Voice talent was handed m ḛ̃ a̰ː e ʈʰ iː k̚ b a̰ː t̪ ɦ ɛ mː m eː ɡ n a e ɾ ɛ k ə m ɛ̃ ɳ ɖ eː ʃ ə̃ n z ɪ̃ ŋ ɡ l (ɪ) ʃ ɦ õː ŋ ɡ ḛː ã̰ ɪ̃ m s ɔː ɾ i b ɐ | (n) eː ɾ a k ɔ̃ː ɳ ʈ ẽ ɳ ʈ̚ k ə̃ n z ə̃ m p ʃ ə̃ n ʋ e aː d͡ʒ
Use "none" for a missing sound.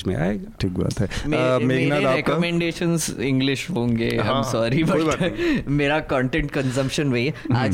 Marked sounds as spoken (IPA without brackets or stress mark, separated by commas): ɪ, m